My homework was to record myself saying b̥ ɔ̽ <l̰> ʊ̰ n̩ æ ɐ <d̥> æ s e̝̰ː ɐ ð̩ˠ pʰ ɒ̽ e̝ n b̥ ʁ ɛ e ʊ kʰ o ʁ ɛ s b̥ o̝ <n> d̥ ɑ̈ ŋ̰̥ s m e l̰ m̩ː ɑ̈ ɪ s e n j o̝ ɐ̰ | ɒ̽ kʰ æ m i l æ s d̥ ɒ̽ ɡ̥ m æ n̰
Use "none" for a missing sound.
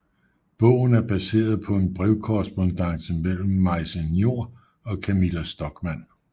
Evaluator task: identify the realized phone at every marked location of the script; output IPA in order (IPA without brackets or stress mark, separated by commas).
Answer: none, b̥, n